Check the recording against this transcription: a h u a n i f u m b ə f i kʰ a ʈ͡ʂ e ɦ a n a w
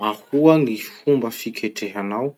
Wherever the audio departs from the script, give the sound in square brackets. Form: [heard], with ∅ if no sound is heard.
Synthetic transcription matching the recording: a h u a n i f u m b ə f i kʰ [e] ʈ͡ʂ e ɦ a n a w